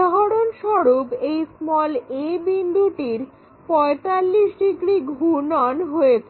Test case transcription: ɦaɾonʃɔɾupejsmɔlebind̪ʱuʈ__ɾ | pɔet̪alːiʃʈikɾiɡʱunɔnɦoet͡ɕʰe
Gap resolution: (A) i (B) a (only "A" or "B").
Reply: A